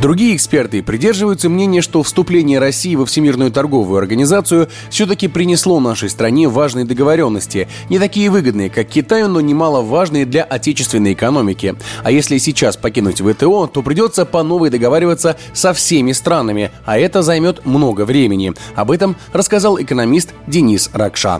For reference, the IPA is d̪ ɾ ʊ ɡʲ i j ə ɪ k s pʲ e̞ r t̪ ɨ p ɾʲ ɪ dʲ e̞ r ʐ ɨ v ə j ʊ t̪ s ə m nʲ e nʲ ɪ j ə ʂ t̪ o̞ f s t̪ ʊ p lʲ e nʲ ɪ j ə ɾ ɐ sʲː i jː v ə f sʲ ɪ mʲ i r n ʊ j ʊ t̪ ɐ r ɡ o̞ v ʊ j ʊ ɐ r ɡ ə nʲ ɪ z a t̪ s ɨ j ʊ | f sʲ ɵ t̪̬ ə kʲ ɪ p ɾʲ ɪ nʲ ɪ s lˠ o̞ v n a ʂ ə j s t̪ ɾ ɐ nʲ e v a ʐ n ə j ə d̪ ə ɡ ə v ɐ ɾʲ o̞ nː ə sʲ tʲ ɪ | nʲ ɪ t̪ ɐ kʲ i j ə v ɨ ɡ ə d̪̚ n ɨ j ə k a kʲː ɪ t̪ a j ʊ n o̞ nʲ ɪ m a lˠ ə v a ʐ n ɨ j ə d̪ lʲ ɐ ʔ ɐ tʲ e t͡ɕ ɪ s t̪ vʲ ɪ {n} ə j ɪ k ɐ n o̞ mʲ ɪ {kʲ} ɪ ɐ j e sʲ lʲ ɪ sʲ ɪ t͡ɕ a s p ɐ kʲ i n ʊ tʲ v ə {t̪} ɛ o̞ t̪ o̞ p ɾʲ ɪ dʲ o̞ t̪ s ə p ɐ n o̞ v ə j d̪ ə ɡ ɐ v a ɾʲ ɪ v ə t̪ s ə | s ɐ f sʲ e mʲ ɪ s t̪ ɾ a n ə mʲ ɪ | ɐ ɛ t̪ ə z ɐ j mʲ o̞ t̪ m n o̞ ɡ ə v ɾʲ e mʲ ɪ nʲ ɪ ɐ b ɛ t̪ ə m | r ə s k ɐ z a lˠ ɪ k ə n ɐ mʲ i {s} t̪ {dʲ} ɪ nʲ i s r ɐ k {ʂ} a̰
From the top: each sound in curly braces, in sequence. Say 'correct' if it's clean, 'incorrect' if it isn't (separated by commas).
incorrect, correct, correct, correct, correct, correct